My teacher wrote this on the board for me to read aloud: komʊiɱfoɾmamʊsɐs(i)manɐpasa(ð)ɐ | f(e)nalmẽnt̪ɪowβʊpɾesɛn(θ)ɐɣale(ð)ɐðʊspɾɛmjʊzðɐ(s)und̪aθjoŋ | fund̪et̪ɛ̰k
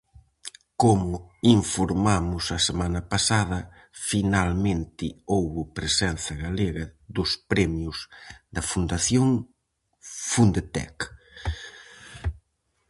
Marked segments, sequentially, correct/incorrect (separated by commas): incorrect, correct, incorrect, correct, incorrect, incorrect